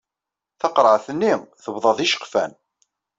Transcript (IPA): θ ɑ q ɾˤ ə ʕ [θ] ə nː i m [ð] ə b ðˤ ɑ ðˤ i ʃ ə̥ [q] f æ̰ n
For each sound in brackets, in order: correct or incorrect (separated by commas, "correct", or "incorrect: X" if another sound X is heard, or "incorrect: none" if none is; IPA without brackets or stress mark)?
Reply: correct, incorrect: θ, correct